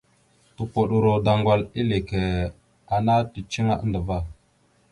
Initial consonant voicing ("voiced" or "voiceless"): voiceless